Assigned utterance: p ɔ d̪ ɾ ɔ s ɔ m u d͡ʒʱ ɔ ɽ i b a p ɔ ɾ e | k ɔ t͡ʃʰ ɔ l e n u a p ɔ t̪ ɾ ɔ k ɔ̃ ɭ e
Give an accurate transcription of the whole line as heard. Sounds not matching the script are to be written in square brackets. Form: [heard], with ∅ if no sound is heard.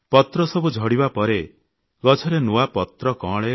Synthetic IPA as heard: p ɔ [t̪] ɾ ɔ s ɔ [b] u d͡ʒʱ ɔ ɽ i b a p ɔ ɾ e | [ɡ] ɔ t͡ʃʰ ɔ [ɾ] e n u a p ɔ t̪ ɾ ɔ k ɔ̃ ɭ e

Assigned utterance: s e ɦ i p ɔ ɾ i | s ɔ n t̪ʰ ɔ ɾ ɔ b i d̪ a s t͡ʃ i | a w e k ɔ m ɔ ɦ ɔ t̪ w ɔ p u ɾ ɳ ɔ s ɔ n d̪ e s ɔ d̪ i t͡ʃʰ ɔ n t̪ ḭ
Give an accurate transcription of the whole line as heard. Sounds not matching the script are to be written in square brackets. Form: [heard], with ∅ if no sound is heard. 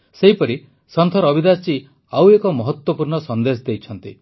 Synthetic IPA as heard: s e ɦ i p ɔ ɾ i | s ɔ n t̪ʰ ɔ ɾ ɔ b i d̪ a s t͡ʃ i | a w e k ɔ m ɔ ɦ ɔ t̪ w ɔ p u ɾ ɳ ɔ s ɔ n d̪ e s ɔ d̪ [e] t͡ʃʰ ɔ n t̪ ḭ

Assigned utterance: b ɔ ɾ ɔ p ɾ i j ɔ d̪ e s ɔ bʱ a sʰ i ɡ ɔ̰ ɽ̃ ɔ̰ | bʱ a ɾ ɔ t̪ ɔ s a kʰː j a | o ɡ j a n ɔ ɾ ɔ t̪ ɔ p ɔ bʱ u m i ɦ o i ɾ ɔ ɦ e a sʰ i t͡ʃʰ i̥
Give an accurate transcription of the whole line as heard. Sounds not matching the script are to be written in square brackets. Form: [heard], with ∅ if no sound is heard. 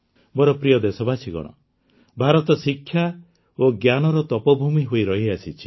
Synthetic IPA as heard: b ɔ ɾ ɔ p ɾ i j ɔ d̪ e s ɔ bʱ a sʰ i ɡ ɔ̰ ɽ̃ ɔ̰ | bʱ a ɾ ɔ t̪ ɔ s [i] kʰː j a | o ɡ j a n ɔ ɾ ɔ t̪ ɔ p ɔ bʱ u m i ɦ o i ɾ ɔ ɦ [i] a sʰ i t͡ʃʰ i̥

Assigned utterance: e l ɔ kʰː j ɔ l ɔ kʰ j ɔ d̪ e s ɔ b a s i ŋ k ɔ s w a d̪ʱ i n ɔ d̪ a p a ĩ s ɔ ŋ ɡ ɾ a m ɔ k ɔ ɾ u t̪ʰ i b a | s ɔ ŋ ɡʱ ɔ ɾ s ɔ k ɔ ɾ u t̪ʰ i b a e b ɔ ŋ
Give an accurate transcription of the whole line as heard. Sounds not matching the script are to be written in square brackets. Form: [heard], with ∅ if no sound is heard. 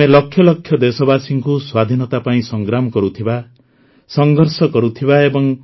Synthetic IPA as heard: e l ɔ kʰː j ɔ l ɔ kʰ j ɔ d̪ e s ɔ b a s i ŋ k [u] s w a d̪ʱ i n ɔ [t̪] a p a ĩ s ɔ ŋ ɡ ɾ a m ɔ k ɔ ɾ u t̪ʰ i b a | s ɔ ŋ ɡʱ ɔ ɾ s ɔ k ɔ ɾ u t̪ʰ i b a e b ɔ ŋ

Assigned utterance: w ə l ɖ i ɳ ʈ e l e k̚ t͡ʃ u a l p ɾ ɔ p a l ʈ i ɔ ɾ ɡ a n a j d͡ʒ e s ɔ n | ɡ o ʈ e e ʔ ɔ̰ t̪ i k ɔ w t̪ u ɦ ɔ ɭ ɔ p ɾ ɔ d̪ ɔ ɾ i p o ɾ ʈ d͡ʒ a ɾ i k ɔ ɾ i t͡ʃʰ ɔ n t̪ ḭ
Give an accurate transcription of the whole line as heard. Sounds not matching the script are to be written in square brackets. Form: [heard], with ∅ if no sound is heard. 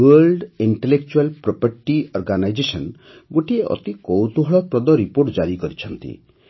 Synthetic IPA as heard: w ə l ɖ i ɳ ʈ e l e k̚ t͡ʃ u a l p ɾ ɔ p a [ɾ] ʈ i ɔ ɾ ɡ a n a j d͡ʒ e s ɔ n | ɡ o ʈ [i] e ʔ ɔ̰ t̪ i k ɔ w t̪ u ɦ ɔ ɭ ɔ p ɾ ɔ d̪ ɔ ɾ i p o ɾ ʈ d͡ʒ a ɾ i k ɔ ɾ i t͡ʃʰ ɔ n t̪ ḭ

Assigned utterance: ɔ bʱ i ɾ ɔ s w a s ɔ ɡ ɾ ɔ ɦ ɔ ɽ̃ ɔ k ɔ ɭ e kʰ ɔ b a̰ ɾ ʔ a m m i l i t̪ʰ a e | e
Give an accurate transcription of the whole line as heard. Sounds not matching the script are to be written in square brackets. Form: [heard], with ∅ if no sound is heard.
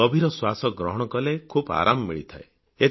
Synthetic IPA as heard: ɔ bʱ i ɾ ɔ s w a s ɔ ɡ ɾ ɔ ɦ ɔ ɽ̃ ɔ k ɔ [l] e kʰ [u] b a̰ ɾ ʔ a m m i [ɭ] i t̪ʰ a e | e

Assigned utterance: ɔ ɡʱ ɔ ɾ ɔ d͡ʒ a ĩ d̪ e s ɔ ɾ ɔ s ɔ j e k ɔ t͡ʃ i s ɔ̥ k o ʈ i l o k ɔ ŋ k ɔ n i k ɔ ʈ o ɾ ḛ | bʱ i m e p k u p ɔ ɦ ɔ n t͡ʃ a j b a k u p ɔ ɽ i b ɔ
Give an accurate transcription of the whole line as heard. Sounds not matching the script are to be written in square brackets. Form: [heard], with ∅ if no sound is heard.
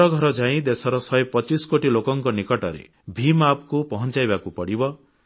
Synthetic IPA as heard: ɔ ɡʱ ɔ ɾ ɔ d͡ʒ a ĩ d̪ e s ɔ ɾ ɔ s ɔ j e [p] ɔ t͡ʃ i s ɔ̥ k o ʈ i l o k ɔ ŋ k ɔ n i k ɔ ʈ [ɔ] ɾ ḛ | bʱ i m [a] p k u p ɔ ɦ ɔ n t͡ʃ a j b a k u p ɔ ɽ i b ɔ

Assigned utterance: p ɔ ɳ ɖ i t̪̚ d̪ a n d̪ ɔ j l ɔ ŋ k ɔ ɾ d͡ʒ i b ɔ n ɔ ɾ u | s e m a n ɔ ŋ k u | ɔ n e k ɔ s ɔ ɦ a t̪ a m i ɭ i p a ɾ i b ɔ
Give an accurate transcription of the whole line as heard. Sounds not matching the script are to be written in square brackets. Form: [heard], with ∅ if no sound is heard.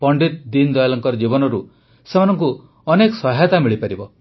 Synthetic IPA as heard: p ɔ ɳ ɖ i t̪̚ d̪ [i] n d̪ ɔ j l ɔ ŋ k ɔ ɾ d͡ʒ i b ɔ n ɔ ɾ u | s e m a n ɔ ŋ k u | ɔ n e k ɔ s ɔ ɦ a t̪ a m i ɭ i p a ɾ i b ɔ

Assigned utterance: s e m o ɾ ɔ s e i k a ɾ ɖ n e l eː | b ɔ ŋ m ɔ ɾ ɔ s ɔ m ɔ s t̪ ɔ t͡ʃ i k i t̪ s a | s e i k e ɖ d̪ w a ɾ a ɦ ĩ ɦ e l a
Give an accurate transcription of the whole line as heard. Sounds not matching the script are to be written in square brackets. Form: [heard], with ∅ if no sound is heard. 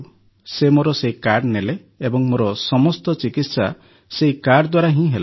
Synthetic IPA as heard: s e m o ɾ ɔ s e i k a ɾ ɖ n e l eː | b ɔ ŋ m [o] ɾ ɔ s ɔ m ɔ s t̪ ɔ t͡ʃ i k i t̪ s a | s e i k [a] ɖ d̪ w a ɾ a ɦ ĩ ɦ e l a

